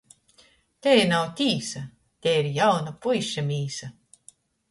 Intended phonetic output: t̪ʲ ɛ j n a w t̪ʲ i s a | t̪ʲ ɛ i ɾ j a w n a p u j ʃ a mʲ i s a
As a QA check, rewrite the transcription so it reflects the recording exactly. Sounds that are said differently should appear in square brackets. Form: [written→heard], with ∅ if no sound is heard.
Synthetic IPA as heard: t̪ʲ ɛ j n a w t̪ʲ [i→iː] s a | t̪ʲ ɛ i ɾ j a w n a p u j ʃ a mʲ [i→iː] s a